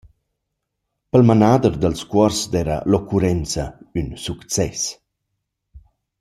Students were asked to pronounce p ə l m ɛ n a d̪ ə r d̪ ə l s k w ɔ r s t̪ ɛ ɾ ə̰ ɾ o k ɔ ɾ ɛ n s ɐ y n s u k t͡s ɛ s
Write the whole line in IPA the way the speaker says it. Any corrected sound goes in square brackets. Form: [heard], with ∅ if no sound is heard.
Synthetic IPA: p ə l m [a] n a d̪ ə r d̪ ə l s k w ɔ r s [d̪] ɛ ɾ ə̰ [l] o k [u] ɾ ɛ n [t͡s] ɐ y n s u k t͡s ɛ s